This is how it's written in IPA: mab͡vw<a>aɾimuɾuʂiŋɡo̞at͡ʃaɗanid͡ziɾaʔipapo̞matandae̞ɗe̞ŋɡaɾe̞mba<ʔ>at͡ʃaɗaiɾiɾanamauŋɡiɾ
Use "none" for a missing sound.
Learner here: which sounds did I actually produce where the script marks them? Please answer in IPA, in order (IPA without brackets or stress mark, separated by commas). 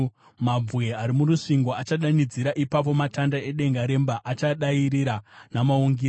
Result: e, ʔ